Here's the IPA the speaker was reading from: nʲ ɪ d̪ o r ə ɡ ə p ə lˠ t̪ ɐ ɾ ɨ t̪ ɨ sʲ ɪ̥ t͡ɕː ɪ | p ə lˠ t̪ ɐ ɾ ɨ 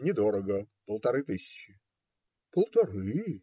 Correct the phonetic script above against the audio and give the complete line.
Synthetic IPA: nʲ ɪ d̪ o ɾ ə ɡ ə p ə lˠ t̪ ɐ ɾ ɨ t̪ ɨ sʲ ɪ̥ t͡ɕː ɪ | p ə lˠ t̪ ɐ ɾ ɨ